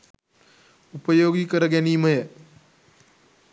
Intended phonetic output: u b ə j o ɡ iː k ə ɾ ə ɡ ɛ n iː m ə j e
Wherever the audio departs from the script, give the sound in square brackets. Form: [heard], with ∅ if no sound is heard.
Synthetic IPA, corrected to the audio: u [p] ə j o ɡ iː k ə ɾ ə ɡ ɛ n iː m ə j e